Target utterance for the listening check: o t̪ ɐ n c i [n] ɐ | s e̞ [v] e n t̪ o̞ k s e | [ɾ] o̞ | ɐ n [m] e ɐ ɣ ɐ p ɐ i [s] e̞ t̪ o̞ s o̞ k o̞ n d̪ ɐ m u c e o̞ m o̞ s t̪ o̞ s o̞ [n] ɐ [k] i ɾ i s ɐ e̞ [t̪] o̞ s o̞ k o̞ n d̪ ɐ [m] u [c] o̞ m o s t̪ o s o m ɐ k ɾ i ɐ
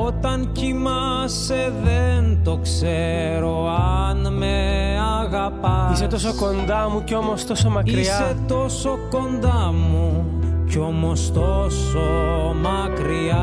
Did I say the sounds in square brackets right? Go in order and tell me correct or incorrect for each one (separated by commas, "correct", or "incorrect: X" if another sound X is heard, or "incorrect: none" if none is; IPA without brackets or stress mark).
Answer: incorrect: m, incorrect: ð, correct, correct, correct, incorrect: m, correct, correct, correct, correct